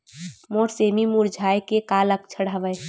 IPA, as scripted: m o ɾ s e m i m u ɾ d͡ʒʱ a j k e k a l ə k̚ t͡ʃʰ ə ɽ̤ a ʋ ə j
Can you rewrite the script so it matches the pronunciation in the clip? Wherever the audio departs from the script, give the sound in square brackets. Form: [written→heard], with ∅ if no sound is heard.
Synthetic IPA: m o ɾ s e m i m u ɾ d͡ʒʱ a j k e k a l ə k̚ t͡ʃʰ ə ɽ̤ a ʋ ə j